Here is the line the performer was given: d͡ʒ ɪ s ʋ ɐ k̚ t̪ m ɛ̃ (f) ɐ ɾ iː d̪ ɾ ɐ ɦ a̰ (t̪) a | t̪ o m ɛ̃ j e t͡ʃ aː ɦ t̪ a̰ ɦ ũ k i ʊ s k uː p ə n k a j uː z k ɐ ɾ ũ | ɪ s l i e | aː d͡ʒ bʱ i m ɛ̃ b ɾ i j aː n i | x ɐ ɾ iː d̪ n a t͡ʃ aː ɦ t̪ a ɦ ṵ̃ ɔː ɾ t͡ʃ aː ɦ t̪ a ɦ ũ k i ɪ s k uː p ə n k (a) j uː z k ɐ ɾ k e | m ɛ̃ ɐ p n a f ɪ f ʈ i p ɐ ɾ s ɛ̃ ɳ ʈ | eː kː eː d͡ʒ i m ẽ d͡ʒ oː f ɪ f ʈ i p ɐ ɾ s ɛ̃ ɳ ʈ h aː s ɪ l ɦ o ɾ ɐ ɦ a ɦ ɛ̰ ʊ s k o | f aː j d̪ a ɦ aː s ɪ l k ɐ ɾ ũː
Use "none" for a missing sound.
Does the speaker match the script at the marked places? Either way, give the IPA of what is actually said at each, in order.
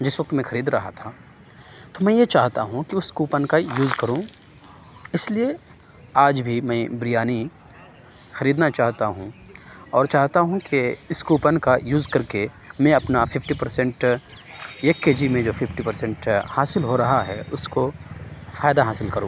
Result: x, t̪ʰ, a

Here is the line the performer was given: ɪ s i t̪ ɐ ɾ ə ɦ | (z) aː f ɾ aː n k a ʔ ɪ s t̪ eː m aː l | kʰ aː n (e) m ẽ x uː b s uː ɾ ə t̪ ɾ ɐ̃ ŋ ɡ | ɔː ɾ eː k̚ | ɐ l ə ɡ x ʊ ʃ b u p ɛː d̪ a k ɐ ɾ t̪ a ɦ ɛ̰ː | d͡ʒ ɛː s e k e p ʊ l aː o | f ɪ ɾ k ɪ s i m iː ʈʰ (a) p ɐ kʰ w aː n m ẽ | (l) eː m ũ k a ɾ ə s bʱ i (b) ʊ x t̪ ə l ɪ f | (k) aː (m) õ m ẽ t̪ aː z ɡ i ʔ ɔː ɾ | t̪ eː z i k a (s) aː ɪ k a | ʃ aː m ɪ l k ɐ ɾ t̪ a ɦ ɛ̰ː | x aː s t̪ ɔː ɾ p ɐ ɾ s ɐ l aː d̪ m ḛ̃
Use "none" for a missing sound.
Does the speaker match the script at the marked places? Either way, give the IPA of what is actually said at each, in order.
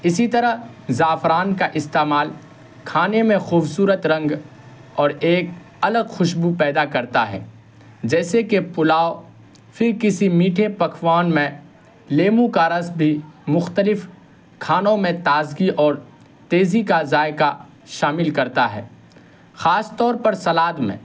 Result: z, e, e, l, m, kʰ, n, z

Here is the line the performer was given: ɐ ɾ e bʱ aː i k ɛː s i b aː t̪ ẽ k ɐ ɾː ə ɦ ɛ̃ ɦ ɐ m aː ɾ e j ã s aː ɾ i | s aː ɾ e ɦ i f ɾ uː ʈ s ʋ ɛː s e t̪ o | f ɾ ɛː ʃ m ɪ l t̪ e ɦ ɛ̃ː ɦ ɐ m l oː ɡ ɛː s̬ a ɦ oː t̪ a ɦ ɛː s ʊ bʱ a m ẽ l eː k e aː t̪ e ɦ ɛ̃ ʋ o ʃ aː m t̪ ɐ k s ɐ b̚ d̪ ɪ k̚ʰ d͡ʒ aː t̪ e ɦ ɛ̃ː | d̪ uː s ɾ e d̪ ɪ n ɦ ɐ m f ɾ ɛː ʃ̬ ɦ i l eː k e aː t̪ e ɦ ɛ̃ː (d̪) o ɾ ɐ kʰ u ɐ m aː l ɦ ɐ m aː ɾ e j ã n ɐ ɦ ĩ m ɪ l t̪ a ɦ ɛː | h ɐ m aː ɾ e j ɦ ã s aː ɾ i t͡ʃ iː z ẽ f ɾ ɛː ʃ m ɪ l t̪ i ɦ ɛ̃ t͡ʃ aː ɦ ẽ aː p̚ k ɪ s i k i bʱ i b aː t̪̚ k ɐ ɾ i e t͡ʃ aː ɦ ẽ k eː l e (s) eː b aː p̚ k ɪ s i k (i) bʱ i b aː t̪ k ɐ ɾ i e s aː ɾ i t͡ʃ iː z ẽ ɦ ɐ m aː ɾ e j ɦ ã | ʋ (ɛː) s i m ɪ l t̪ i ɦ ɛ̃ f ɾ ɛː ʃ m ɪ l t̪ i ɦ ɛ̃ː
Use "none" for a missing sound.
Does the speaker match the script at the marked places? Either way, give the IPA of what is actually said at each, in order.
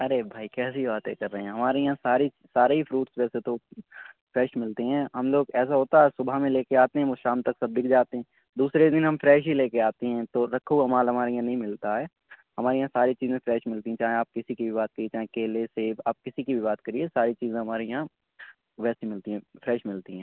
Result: t̪, s, i, ɛː

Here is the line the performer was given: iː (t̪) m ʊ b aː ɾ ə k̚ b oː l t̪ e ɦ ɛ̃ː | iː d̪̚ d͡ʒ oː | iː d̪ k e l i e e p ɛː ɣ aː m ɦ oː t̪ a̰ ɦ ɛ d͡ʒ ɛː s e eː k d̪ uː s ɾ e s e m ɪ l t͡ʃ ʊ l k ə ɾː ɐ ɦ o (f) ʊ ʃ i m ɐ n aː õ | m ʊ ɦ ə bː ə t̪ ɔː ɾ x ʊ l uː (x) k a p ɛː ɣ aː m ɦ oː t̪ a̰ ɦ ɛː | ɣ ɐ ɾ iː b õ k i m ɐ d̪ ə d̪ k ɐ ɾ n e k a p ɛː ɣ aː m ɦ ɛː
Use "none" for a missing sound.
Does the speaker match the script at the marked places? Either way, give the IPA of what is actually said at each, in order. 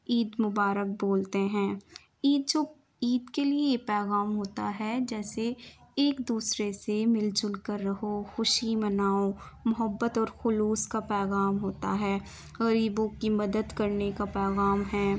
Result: d̪, x, s

